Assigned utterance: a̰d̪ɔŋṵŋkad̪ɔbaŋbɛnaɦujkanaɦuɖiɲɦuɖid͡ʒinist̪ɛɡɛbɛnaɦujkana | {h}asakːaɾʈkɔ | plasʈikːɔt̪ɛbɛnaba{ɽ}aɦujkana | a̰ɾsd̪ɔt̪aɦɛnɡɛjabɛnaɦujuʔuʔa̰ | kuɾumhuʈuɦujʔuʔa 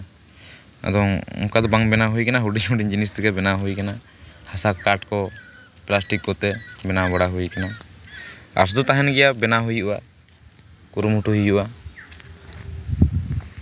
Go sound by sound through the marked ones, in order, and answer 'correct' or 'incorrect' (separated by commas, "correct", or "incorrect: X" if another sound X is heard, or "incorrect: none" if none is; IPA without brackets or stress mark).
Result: correct, correct